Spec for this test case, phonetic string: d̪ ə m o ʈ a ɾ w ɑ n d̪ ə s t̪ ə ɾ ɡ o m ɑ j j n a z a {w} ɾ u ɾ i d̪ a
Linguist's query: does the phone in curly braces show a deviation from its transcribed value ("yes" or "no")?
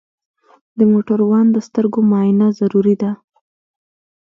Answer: yes